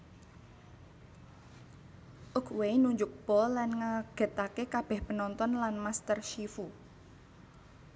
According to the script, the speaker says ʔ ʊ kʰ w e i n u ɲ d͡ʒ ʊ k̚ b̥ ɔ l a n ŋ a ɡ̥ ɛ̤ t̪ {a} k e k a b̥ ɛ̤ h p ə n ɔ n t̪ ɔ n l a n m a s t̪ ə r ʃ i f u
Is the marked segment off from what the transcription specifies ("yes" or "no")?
no